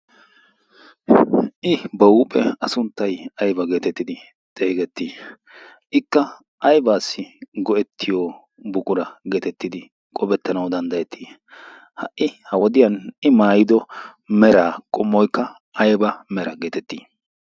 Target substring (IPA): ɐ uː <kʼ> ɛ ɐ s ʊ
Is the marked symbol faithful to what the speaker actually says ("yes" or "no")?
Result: no